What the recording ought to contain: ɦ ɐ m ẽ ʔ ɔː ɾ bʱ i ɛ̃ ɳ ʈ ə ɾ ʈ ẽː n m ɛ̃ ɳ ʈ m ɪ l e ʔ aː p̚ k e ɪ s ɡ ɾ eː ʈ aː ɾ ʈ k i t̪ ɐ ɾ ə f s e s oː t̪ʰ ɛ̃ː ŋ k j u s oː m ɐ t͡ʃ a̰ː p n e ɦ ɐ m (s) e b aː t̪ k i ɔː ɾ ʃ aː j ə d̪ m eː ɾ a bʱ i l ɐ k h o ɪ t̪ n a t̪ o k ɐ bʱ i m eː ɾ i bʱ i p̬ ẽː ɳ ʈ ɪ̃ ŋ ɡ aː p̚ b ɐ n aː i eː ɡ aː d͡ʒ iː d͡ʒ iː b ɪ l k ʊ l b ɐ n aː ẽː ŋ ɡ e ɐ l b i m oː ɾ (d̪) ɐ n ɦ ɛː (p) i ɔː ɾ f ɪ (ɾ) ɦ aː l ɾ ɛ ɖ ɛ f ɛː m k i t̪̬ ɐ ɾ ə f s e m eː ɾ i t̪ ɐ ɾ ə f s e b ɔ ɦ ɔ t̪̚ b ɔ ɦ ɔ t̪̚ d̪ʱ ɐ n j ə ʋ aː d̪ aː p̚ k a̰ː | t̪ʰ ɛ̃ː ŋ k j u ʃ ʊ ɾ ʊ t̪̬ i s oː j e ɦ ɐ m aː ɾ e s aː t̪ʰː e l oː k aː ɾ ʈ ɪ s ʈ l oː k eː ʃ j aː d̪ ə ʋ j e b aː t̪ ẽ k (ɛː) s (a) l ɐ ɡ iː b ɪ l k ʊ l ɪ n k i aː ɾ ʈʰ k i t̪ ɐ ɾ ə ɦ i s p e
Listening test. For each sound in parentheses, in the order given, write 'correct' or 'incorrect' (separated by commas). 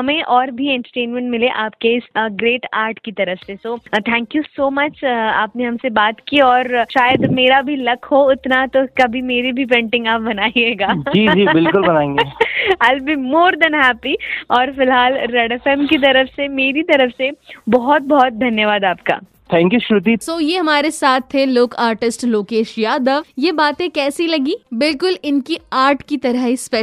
correct, correct, correct, incorrect, correct, incorrect